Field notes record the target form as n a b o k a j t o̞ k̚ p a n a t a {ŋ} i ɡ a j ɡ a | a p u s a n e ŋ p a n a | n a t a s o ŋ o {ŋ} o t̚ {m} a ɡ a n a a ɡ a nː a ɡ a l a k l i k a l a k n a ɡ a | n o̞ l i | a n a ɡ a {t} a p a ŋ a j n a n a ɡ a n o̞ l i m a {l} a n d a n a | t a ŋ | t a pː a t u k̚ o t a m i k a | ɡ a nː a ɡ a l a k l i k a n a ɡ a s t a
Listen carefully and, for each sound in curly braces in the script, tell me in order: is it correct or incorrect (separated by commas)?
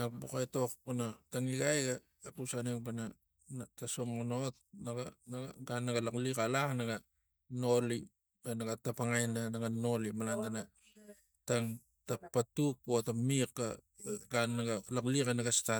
correct, incorrect, incorrect, correct, correct